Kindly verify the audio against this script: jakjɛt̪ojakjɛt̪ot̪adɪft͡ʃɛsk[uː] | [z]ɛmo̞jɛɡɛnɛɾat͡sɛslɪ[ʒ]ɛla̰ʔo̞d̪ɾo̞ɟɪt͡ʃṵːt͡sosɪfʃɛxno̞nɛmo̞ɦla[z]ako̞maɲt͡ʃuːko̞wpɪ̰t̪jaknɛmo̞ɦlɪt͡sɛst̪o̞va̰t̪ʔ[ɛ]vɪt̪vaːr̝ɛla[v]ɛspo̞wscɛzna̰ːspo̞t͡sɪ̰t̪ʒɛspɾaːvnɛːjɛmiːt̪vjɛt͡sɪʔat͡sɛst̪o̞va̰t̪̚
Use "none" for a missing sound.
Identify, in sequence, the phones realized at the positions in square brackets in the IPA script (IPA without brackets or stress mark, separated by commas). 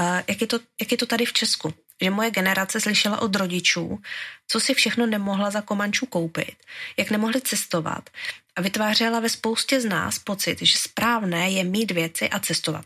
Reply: u, ʒ, ʃ, z, a, v